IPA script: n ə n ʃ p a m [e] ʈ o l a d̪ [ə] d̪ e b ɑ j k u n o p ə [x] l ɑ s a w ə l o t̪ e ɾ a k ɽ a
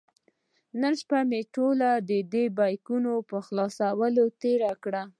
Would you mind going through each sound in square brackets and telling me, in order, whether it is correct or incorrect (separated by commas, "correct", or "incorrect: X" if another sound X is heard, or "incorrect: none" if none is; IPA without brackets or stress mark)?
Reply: correct, correct, correct